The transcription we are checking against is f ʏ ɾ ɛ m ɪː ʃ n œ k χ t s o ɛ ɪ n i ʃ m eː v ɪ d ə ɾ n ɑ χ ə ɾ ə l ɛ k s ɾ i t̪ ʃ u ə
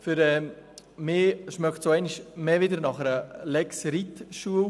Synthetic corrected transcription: f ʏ ɾ ɛ m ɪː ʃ m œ k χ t s o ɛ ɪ n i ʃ m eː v ɪ d ə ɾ n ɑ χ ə ɾ ə l ɛ k s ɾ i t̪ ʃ u ə

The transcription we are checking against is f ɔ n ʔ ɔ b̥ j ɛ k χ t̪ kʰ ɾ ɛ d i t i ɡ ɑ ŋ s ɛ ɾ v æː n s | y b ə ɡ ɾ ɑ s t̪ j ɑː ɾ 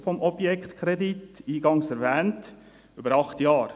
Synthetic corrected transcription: f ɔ m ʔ ɔ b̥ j ɛ k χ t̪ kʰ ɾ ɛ d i t iː ɡ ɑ ŋ s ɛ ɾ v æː n t | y b ə ɾ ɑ χ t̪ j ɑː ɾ

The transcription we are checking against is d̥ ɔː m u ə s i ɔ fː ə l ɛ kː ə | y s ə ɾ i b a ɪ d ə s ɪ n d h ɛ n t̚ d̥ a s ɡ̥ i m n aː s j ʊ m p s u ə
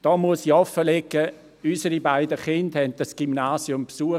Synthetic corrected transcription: d̥ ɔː m u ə s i ɔ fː ə l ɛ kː ə | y s ə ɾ i b a ɪ d ə χ ɪ n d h ɛ n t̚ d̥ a s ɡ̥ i m n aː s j ʊ m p s u ə

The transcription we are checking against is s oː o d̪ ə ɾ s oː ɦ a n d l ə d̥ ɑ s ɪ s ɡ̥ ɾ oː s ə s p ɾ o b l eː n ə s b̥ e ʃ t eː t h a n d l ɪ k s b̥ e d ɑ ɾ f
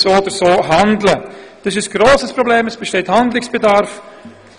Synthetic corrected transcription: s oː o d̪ ə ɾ s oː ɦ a n d l ə d̥ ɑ s ɪ s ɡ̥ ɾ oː s ə s p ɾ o b l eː m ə s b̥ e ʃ t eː t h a n d l ɪ k s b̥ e d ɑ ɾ f

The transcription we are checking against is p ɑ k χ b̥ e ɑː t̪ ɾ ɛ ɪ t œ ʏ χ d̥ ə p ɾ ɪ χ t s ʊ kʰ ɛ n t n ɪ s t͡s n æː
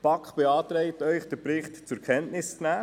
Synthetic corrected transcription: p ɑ k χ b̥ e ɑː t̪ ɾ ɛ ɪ t œ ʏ χ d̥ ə p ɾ ɪ χ t t͡s ʊ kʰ ɛ n t n ɪ s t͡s n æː

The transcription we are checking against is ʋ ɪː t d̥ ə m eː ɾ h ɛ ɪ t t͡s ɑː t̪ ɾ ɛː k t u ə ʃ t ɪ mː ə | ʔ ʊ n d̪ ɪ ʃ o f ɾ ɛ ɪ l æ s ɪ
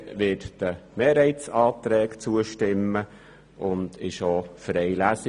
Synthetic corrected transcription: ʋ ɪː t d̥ ə m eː ɾ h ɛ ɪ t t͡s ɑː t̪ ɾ ɛː k t͡s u ə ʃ t ɪ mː ə | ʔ ʊ n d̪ ɪ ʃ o f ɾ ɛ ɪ l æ s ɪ

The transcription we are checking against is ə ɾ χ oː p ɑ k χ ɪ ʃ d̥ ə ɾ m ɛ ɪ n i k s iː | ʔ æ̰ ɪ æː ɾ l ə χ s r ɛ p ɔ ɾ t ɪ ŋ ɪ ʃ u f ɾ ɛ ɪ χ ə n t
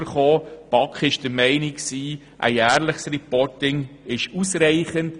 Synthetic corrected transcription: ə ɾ χ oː p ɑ k χ ɪ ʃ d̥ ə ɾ m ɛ ɪ n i k s iː | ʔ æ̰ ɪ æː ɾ l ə χ s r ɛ p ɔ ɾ t ɪ ŋ ɪ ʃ u s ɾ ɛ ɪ χ ə n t

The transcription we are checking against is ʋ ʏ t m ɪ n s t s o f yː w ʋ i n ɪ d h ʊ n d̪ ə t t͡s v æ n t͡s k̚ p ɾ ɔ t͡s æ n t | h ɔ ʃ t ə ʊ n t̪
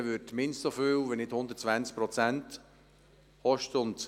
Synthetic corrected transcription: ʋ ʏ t m ɪ n s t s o f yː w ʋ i n ɪ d h ʊ n d̪ ə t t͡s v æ n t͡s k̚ p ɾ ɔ t͡s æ n t | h ɔ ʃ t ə ʊ n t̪

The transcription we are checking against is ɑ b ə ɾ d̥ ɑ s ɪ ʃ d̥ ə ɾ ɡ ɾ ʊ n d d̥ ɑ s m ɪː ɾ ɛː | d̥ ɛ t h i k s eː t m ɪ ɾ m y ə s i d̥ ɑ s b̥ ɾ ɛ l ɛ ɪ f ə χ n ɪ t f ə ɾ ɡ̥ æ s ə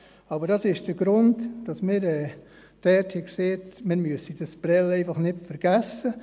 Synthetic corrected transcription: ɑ b ə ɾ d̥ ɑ s ɪ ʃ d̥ ə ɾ ɡ ɾ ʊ n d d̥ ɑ s m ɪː ɾ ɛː | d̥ ɛ t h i k s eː t m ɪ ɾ m y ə s i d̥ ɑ s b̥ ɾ ɛ l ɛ ɪ f ɑ χ n ɪ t f ə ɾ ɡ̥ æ s ə

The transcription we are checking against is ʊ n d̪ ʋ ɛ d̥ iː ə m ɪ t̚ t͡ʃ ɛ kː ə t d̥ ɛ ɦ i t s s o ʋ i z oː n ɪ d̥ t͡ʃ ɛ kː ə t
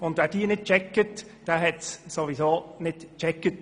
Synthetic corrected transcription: ʊ n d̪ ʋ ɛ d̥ iː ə n ɪ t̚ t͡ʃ ɛ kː ə t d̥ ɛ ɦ ɛ t s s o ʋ i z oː n ɪ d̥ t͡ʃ ɛ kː ə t

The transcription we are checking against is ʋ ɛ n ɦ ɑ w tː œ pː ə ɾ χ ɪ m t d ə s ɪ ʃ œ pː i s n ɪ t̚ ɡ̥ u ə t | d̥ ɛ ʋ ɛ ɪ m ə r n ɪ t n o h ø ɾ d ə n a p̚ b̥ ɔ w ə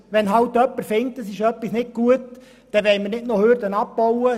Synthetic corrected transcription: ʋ ɛ n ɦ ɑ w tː œ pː ə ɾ f ɪ ŋ t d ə s ɪ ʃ œ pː i s n ɪ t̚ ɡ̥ u ə t | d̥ ɛ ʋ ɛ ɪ m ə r n ɪ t n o h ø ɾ d ə n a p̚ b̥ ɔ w ə

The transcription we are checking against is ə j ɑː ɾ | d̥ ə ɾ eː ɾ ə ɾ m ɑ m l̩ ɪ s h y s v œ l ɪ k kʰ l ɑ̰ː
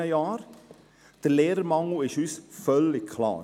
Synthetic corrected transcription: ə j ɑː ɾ | d̥ ə l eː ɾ ə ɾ m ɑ ŋ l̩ ɪ ʃ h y s f œ l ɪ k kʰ l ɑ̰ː

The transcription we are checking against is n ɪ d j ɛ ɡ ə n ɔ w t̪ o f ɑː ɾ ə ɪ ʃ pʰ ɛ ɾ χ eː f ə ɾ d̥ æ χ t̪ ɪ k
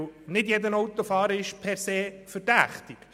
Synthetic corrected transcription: n ɪ d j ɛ d ə n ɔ w t̪ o f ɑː ɾ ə ɪ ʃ pʰ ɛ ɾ s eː f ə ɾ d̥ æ χ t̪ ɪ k

